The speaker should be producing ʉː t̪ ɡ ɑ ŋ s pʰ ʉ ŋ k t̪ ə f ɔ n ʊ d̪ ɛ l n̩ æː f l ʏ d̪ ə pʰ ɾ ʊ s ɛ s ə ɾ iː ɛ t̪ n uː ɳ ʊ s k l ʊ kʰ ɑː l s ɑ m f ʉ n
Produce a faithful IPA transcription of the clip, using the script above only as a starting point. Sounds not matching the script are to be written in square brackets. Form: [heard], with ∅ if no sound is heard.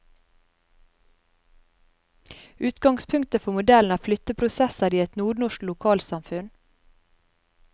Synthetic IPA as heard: ʉː t̪ ɡ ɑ ŋ s pʰ ʉ ŋ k t̪ ə f ɔ [m] ʊ d̪ ɛ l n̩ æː f l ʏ [t̪] ə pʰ ɾ ʊ s ɛ s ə ɾ iː ɛ t̪ n uː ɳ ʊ [ʃ] k l ʊ kʰ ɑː l s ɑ m f ʉ n